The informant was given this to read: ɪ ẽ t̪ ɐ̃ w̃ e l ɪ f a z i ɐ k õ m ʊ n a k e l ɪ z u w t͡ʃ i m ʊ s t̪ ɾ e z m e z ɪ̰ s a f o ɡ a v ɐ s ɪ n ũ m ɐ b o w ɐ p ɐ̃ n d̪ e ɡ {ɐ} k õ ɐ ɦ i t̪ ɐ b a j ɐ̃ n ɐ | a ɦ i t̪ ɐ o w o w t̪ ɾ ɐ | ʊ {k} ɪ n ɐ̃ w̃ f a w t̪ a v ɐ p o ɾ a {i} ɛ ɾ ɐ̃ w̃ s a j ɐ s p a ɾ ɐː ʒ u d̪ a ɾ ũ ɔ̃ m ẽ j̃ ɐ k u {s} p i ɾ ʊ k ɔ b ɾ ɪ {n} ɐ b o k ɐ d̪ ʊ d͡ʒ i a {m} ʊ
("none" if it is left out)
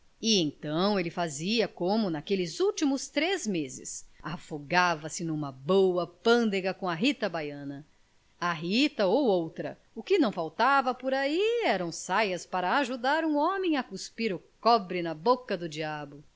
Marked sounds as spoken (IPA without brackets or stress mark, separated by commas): ɐ, k, i, s, n, b